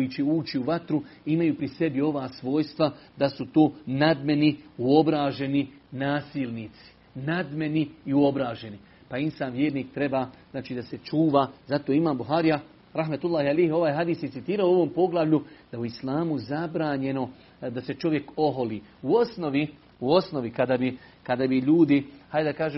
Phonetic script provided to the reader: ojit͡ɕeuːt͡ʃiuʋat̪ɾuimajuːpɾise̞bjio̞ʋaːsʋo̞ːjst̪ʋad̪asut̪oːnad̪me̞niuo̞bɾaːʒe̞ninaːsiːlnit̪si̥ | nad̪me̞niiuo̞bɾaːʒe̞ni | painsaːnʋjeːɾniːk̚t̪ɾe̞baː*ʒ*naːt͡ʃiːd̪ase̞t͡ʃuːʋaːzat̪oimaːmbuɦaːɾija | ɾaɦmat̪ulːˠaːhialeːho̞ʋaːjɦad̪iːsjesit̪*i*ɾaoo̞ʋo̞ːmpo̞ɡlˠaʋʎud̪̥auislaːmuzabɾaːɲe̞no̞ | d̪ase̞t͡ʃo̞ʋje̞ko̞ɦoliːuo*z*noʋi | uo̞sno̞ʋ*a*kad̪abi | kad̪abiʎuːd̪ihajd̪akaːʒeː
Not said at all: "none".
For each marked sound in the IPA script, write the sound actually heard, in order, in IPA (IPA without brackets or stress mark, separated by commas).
z, iː, s, i